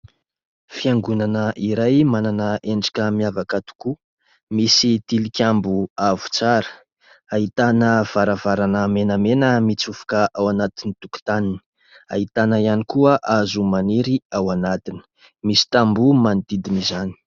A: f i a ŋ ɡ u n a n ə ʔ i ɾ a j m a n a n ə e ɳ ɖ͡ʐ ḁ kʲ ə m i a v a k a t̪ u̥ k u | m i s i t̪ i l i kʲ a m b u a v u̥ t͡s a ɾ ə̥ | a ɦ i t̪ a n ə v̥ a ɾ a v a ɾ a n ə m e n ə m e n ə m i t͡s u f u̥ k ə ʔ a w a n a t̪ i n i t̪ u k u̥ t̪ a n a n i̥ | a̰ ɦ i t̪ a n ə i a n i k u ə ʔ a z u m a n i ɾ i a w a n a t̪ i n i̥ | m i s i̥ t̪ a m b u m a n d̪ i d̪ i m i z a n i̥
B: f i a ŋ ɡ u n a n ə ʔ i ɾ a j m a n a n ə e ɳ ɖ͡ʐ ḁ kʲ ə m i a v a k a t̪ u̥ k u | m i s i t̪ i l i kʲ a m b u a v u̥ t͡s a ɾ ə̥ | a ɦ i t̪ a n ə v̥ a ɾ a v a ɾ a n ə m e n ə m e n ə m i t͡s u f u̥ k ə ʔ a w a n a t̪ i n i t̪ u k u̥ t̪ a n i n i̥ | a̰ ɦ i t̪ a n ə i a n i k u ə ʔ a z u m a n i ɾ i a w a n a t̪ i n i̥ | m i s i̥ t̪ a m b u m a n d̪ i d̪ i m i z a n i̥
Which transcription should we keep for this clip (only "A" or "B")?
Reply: B